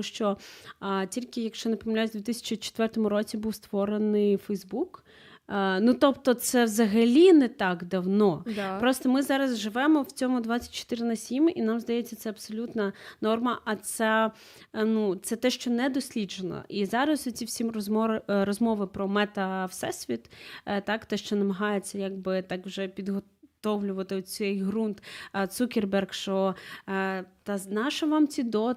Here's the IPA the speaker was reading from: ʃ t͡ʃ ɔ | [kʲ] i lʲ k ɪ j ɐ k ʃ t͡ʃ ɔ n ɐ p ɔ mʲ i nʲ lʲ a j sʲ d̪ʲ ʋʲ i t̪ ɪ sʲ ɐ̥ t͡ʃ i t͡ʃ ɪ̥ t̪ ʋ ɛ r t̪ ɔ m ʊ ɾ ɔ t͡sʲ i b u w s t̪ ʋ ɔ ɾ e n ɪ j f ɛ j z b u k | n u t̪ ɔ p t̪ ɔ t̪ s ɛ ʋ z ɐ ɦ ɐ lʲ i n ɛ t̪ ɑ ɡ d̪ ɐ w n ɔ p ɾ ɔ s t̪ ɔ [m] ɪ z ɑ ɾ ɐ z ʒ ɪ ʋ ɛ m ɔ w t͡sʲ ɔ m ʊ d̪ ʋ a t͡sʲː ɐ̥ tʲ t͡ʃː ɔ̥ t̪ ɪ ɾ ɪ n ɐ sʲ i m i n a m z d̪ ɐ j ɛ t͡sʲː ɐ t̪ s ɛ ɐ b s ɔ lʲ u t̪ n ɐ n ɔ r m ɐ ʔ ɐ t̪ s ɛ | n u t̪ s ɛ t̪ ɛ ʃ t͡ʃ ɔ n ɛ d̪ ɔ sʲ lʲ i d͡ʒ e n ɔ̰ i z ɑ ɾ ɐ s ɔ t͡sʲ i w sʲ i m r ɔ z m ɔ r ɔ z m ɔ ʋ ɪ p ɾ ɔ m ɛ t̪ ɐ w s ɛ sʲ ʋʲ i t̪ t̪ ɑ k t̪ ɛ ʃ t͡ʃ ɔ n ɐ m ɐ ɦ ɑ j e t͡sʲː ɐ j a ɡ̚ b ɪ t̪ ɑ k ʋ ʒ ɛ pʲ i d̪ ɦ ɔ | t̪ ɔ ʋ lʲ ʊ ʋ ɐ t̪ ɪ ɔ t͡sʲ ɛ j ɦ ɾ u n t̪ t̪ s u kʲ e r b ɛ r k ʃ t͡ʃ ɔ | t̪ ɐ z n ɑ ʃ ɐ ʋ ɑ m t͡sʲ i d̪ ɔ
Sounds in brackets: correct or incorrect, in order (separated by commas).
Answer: incorrect, correct